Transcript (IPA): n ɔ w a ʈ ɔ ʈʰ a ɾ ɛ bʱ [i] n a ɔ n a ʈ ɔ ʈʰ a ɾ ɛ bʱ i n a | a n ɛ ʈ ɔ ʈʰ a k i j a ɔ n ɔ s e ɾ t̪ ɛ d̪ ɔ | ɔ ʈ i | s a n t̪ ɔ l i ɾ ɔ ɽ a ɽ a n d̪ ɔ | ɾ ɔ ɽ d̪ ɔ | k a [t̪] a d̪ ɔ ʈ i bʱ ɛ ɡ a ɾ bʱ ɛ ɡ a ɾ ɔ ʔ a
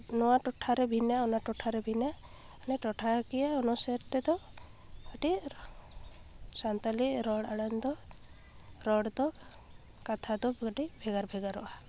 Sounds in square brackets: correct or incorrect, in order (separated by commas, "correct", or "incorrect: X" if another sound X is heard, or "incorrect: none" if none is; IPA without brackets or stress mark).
correct, incorrect: t̪ʰ